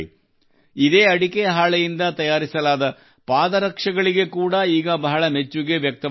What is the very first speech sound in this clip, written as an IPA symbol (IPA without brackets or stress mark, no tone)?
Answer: i